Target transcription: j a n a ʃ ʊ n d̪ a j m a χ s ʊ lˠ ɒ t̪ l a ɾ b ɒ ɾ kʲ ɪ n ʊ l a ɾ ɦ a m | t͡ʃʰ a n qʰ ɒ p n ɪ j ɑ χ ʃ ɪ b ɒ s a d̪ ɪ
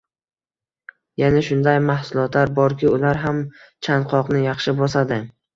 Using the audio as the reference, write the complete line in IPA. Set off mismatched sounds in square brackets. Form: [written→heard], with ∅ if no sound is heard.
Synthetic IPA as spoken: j a n a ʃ ʊ n d̪ a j m a [χ→h] s ʊ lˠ ɒ t̪ l a ɾ b ɒ ɾ kʲ ɪ [n→∅] ʊ l a ɾ ɦ a m | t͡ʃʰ a n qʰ ɒ [p→q] n ɪ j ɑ χ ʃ ɪ b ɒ s a d̪ ɪ